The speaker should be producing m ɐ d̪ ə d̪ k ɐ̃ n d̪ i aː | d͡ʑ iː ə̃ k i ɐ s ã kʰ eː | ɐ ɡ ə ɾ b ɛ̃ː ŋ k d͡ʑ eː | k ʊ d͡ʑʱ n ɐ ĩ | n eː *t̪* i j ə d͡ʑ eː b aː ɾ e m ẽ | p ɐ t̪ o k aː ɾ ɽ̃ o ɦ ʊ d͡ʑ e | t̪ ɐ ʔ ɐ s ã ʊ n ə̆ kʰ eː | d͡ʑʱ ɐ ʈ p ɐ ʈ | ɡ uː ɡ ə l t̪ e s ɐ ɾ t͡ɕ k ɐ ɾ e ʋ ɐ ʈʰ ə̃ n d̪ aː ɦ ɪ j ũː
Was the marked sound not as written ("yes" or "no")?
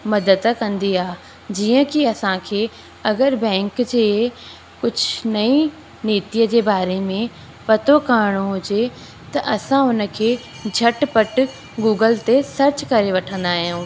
no